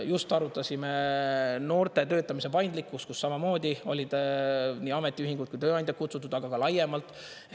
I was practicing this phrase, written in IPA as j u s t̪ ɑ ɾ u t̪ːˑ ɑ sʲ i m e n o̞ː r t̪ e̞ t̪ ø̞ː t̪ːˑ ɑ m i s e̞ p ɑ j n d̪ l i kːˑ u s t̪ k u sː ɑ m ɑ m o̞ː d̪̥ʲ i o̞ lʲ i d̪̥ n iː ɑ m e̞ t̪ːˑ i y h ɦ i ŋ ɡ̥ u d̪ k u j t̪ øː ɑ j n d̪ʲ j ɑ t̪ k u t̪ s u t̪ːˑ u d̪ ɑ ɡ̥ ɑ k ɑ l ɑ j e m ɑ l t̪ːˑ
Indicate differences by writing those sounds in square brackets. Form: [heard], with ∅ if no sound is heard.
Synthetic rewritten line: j u s t̪ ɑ ɾ u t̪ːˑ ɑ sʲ i m e n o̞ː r t̪ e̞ t̪ ø̞ː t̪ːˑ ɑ m i s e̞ p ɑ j n d̪ l i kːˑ u s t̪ k u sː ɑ m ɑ m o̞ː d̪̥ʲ i o̞ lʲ i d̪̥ n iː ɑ m e̞ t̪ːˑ i y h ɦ i ŋ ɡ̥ u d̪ k u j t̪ øː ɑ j n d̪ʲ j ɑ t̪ k u t̪ s u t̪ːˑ u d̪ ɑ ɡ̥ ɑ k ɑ l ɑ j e m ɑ l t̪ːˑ